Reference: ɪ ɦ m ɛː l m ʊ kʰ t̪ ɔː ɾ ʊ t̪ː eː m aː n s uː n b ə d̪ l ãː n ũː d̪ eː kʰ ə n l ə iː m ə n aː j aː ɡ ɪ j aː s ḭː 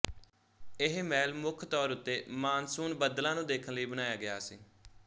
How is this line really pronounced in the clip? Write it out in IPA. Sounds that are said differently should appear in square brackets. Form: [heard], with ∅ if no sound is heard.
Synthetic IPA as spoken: ɪ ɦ m ɛː l m ʊ kʰ t̪ ɔː ɾ ʊ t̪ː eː m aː n s uː n b ə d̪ l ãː n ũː d̪ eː kʰ ə n l ə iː [b] ə n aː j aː ɡ ɪ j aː s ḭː